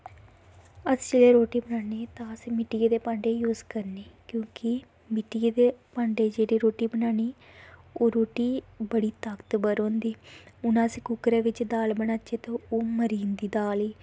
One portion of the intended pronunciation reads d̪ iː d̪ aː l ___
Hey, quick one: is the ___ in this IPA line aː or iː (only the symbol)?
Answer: iː